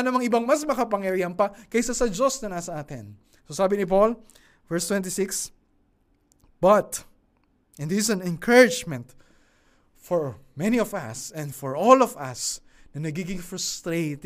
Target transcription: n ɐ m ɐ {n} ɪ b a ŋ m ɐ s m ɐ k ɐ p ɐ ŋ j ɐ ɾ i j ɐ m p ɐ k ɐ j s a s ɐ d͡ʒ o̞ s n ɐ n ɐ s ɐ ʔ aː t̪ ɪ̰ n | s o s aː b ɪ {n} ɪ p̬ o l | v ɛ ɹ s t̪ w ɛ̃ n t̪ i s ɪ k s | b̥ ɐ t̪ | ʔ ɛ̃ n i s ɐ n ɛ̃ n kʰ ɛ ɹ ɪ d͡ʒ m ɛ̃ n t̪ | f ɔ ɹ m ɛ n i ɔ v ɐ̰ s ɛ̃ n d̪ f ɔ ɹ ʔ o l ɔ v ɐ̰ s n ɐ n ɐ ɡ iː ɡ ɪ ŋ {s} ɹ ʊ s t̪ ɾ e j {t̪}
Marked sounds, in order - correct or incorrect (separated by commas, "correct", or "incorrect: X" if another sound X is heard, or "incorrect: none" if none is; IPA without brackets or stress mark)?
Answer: incorrect: ŋ, correct, incorrect: f, correct